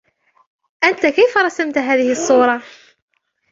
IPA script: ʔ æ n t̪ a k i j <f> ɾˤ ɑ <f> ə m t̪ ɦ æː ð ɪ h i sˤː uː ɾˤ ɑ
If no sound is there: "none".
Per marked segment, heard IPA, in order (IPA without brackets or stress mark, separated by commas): f, s